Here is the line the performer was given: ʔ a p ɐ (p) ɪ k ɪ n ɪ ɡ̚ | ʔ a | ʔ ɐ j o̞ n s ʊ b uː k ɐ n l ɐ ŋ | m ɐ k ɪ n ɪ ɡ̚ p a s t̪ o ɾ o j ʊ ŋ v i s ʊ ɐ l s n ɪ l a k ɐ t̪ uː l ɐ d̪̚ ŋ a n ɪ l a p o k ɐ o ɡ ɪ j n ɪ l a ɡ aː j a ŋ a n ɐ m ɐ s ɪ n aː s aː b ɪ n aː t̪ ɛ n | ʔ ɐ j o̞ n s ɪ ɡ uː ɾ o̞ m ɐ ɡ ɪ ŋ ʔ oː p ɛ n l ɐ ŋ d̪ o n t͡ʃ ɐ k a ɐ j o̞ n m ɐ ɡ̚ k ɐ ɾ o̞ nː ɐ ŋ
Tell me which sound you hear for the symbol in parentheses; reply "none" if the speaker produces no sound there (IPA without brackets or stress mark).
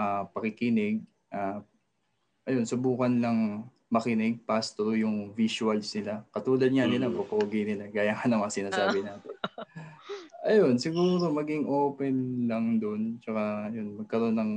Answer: k